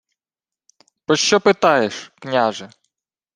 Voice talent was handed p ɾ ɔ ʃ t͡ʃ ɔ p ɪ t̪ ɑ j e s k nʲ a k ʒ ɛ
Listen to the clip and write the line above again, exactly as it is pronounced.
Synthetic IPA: p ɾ ɔ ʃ t͡ʃ ɔ p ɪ t̪ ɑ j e ʃ k nʲ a ʒ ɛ